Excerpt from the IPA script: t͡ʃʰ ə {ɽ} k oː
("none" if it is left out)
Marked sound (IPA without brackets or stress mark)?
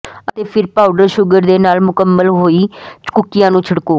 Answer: ɽ